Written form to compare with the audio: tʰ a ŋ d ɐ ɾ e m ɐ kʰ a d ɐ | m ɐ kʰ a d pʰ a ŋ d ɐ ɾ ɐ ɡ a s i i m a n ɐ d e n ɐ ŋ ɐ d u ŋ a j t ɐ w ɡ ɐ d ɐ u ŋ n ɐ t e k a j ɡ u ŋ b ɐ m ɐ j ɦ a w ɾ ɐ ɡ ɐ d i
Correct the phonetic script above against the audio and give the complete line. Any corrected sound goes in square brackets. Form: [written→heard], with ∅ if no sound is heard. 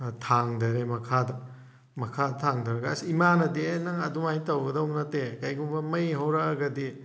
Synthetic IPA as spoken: tʰ a ŋ d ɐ ɾ e m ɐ kʰ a d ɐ | m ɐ kʰ a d [pʰ→tʰ] a ŋ d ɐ ɾ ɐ ɡ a s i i m a n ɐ d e n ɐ ŋ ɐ d u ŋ a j t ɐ w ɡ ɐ d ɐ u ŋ n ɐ t e k a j ɡ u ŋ b ɐ m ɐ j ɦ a w ɾ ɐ ɡ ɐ d i